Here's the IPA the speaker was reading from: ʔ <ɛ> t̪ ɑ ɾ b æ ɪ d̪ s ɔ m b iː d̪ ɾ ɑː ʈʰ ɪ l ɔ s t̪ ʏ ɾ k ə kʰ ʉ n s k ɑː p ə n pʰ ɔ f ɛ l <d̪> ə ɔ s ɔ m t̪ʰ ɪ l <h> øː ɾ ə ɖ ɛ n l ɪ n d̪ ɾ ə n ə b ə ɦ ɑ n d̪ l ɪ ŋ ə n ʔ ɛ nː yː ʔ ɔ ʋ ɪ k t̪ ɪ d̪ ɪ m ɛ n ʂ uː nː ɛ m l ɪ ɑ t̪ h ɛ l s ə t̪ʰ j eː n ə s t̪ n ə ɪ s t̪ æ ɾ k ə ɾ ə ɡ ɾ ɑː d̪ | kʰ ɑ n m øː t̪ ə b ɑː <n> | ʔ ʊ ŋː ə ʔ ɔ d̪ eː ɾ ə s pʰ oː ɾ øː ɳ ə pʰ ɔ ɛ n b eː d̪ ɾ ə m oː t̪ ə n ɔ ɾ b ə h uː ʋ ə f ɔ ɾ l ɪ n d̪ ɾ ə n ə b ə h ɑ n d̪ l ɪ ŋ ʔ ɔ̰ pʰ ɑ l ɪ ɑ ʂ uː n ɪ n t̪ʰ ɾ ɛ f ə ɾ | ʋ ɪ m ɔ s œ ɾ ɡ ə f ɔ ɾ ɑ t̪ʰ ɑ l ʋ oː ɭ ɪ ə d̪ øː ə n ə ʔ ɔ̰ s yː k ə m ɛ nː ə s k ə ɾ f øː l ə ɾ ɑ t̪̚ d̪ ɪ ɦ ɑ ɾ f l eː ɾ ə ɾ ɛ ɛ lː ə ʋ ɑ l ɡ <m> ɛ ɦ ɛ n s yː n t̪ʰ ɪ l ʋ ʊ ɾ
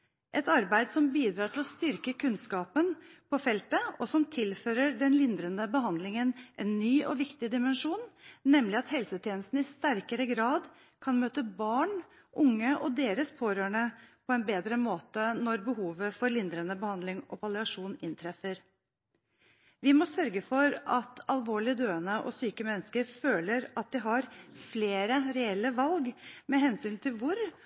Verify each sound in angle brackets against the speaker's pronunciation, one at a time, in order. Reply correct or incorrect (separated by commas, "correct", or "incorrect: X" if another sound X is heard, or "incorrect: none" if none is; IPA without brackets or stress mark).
correct, incorrect: t̪, incorrect: f, incorrect: ɳ, correct